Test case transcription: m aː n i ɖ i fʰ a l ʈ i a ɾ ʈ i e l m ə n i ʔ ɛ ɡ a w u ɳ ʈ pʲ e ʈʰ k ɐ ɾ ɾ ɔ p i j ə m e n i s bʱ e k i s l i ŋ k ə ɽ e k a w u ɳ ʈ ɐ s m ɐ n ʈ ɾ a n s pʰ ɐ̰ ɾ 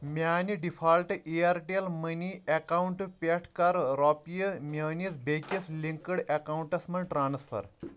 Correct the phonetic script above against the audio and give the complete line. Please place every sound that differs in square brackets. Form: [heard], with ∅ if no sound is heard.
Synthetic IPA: m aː n i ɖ i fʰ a l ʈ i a ɾ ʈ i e l m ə n i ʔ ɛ [k] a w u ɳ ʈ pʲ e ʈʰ k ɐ ɾ ɾ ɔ p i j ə m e n i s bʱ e k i s l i ŋ k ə ɽ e k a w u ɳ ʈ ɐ s m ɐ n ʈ ɾ a n s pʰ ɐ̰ ɾ